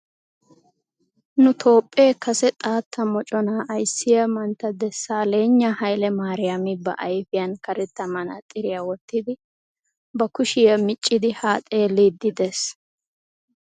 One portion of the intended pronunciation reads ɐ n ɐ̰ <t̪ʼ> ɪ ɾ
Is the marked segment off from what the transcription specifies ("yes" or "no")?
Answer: no